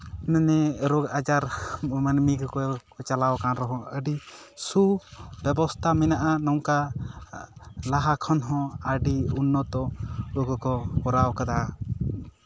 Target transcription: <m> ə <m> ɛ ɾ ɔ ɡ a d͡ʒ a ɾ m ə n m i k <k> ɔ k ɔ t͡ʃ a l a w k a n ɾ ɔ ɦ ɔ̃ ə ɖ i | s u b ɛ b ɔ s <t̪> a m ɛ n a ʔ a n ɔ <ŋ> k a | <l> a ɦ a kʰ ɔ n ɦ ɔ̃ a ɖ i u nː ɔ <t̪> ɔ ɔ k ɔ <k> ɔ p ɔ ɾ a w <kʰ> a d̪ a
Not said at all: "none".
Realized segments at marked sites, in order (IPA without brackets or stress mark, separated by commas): n, n, k, t̪ʰ, ŋ, l, t̪, k, k